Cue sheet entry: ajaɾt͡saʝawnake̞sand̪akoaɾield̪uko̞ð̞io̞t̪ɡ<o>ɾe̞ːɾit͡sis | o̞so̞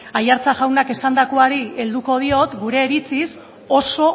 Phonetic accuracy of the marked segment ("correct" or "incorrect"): incorrect